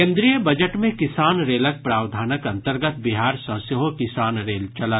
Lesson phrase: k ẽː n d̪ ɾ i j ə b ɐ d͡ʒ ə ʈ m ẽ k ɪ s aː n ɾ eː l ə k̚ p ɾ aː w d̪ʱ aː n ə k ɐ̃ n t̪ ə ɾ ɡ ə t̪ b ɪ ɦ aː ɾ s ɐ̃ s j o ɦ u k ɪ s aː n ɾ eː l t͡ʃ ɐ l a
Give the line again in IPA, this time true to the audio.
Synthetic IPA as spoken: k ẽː n d̪ ɾ i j ə b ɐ d͡ʒ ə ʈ m ẽ k ɪ s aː n ɾ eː l ə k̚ p ɾ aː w d̪ʱ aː n ə k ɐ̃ n t̪ ə ɾ ɡ ə t̪ b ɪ ɦ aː ɾ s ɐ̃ s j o ɦ o k ɪ s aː n ɾ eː l t͡ʃ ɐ l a